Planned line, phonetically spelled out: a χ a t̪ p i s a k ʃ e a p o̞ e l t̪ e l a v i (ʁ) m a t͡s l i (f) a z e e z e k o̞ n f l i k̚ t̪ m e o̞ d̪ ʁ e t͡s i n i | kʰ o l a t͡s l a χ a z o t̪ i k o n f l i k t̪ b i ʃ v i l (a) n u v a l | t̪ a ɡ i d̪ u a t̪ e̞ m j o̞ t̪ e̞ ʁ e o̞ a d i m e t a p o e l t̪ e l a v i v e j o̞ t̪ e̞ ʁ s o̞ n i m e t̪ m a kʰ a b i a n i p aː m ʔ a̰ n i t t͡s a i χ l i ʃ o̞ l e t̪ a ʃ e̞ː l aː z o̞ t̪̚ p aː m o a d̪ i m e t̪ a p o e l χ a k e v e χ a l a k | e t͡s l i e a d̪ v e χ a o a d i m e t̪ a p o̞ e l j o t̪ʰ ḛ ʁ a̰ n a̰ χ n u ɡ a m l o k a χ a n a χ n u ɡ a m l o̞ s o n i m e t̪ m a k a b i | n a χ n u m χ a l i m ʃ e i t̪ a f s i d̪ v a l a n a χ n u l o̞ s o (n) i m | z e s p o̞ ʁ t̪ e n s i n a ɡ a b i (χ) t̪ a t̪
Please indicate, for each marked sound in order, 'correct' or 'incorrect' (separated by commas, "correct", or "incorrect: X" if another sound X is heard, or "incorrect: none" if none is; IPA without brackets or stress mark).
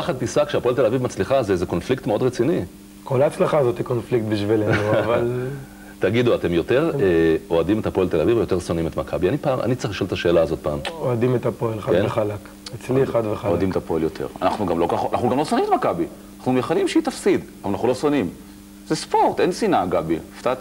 incorrect: v, incorrect: χ, incorrect: e, correct, incorrect: f